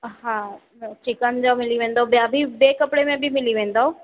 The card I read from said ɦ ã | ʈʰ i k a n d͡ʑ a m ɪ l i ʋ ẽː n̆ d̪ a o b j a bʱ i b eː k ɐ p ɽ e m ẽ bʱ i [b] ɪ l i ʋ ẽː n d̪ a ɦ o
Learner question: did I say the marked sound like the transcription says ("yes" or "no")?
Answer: no